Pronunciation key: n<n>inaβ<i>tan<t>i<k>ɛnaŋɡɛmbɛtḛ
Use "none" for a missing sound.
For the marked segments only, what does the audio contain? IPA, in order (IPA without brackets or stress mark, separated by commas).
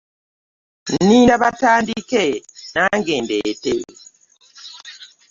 n, a, d, k